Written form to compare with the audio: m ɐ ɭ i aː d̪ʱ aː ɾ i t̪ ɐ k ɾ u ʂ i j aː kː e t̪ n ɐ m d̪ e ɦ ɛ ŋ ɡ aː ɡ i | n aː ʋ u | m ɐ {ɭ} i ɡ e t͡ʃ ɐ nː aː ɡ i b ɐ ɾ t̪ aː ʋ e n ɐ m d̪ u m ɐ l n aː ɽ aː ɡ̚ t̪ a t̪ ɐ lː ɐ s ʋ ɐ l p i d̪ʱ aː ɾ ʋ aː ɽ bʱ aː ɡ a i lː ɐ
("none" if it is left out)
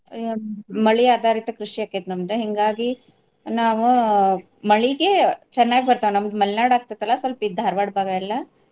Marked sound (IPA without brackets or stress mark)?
ɭ